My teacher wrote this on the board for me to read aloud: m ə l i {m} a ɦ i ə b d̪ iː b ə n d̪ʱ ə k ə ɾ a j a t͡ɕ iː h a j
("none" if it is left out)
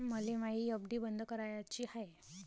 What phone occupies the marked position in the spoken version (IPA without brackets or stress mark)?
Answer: m